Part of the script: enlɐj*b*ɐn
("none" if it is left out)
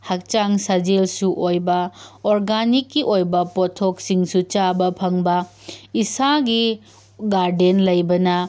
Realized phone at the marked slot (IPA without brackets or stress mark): b